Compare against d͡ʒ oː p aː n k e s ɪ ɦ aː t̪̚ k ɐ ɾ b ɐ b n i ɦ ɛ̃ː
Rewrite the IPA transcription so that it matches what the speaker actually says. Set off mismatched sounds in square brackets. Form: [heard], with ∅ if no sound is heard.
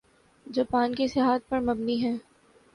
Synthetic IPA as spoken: d͡ʒ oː p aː n k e s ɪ ɦ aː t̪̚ [p] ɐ ɾ [m] ɐ b n i ɦ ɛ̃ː